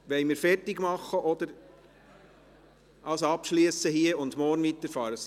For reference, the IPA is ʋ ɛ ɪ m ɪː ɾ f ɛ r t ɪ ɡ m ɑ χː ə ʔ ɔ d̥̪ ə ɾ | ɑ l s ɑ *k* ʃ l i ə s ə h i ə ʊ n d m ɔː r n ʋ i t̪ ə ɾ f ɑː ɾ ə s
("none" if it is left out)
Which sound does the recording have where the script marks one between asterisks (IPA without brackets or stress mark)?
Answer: p